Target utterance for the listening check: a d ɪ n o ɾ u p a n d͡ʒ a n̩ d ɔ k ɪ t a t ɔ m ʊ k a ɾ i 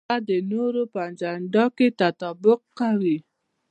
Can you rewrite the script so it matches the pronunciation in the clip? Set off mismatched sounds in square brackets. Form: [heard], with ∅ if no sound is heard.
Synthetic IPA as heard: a d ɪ n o ɾ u p a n d͡ʒ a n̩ d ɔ k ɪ t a t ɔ [b] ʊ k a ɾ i